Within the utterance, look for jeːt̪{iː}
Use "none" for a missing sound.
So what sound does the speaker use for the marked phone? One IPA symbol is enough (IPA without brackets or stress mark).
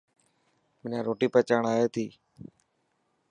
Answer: iː